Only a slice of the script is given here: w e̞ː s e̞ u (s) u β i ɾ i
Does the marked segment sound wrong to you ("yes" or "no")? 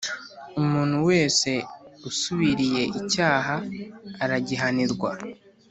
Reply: no